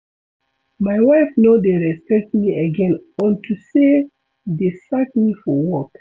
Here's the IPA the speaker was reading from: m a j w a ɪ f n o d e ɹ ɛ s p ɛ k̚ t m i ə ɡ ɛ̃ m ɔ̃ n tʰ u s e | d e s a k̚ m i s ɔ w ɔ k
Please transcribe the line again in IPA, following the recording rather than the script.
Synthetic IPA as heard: m a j w a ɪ f n o d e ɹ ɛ s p ɛ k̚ t m i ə ɡ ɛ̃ n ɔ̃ n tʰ u s e | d e s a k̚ m i f ɔ w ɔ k